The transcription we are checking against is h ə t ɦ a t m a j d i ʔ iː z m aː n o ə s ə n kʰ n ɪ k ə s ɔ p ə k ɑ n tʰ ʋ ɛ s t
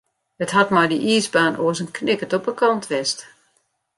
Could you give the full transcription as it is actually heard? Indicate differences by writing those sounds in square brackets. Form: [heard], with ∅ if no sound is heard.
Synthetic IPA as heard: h ə t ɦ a t m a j d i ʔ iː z [b] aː n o ə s ə n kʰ n ɪ k ə [t] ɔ p ə k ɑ n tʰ ʋ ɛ s t